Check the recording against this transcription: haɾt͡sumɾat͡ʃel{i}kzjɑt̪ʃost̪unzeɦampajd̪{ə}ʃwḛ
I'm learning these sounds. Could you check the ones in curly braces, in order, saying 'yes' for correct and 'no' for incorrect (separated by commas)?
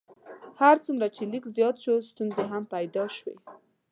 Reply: yes, no